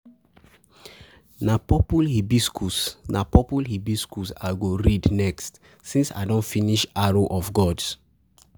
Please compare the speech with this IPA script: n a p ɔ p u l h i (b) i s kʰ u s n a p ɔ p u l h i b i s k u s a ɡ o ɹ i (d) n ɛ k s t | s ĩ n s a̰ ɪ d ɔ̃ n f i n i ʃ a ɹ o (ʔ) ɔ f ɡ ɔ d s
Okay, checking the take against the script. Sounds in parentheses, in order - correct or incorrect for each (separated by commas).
correct, correct, correct